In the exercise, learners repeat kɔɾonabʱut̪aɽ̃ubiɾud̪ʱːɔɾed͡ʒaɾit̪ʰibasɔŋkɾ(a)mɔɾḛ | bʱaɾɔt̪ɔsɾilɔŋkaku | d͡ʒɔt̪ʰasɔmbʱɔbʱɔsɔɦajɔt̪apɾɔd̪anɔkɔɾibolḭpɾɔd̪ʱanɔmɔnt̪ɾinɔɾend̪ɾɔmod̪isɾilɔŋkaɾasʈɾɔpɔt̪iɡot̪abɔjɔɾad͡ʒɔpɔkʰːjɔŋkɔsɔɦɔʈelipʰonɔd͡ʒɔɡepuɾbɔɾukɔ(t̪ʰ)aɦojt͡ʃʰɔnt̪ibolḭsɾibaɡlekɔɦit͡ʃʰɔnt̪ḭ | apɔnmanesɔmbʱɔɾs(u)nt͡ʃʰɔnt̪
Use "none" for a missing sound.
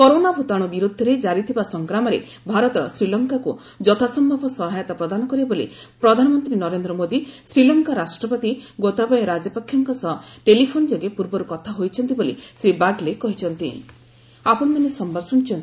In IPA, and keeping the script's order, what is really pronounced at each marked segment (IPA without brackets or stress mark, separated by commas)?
a, t̪ʰ, u